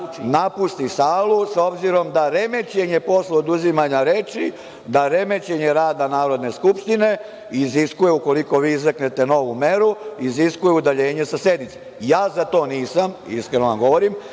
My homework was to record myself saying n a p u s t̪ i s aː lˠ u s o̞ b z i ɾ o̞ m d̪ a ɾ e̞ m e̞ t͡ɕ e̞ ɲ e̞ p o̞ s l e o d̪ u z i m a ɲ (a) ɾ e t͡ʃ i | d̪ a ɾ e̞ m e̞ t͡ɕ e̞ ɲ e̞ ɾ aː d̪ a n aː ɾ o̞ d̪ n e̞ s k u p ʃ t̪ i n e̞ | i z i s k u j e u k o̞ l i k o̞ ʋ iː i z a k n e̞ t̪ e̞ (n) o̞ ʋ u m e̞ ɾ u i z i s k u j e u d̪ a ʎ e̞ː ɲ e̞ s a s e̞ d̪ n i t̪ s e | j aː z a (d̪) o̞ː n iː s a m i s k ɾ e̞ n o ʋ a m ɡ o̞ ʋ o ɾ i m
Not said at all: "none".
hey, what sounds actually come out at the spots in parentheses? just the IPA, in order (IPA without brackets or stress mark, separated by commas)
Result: a, n, t̪